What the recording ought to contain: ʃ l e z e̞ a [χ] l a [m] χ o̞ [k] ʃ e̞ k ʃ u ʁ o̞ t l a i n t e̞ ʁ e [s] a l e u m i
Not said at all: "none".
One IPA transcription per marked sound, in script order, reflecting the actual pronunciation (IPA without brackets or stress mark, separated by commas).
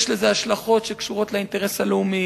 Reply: ʃ, none, t, s